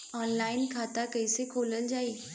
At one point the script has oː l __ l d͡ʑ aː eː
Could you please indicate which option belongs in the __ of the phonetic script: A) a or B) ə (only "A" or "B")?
B